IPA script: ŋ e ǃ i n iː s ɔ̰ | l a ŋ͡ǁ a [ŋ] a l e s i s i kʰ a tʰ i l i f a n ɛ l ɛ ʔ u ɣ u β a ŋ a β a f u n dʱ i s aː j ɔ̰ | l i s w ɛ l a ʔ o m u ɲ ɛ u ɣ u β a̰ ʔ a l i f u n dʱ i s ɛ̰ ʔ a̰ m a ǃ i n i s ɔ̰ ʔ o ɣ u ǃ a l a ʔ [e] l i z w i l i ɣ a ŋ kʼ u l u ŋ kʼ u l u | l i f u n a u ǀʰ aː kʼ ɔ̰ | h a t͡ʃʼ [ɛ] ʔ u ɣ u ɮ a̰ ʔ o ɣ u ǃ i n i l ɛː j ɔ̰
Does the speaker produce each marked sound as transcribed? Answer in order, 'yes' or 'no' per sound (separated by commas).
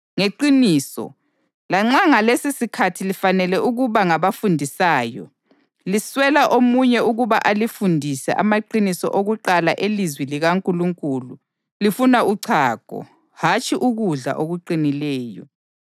yes, yes, no